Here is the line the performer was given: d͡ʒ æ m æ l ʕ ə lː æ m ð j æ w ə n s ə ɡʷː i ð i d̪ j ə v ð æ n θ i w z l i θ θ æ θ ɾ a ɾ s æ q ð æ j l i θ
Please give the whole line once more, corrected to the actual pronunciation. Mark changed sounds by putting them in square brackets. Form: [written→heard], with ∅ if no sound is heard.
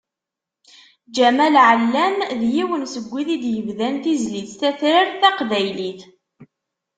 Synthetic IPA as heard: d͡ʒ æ m æ l ʕ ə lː æ m ð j [æ→i] w ə n s ə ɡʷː i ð i d̪ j ə v ð æ n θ i [w→∅] z l i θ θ æ θ ɾ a ɾ [s→θ] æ q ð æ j l i θ